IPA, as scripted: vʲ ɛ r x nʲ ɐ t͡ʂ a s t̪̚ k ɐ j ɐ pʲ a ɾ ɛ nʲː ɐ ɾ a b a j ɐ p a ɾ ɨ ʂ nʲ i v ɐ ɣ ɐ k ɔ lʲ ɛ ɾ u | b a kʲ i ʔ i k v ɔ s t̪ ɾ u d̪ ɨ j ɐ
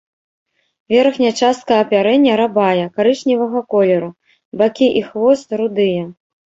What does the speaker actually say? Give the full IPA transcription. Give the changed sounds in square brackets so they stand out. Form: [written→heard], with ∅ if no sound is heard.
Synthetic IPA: vʲ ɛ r x nʲ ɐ t͡ʂ a s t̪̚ k ɐ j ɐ pʲ a ɾ ɛ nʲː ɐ ɾ a b a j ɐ [p→k] a ɾ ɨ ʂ nʲ i v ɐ ɣ ɐ k ɔ lʲ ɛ ɾ u | b a kʲ i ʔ i [k→x] v ɔ s t̪ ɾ u d̪ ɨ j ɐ